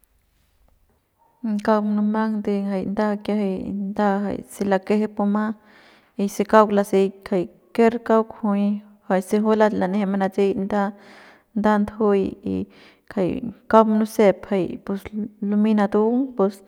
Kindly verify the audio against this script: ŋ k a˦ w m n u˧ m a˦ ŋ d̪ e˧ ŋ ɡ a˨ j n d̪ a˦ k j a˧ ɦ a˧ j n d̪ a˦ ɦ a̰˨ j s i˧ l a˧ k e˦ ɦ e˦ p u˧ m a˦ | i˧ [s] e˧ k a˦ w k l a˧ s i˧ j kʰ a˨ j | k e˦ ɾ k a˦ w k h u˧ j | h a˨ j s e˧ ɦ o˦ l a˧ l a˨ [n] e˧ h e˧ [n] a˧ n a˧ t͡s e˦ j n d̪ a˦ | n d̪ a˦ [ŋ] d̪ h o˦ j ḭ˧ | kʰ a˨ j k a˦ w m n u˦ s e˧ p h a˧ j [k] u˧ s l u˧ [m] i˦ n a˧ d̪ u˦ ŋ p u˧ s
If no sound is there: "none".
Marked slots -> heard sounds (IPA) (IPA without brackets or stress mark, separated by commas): s, n, m, n, p, m